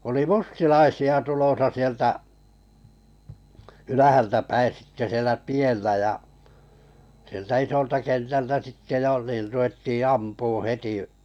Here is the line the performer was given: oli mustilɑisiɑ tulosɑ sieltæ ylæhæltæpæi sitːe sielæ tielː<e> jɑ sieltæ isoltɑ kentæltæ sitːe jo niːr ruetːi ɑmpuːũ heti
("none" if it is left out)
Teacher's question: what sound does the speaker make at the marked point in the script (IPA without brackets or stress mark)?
æ